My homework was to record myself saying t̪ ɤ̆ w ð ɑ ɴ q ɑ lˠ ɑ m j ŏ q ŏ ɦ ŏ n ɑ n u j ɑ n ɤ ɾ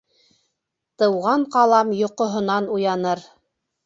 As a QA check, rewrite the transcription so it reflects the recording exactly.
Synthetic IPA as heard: t̪ ɤ̆ w ʁ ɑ ɴ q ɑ lˠ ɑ m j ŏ q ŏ ɦ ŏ n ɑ n u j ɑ n ɤ ɾ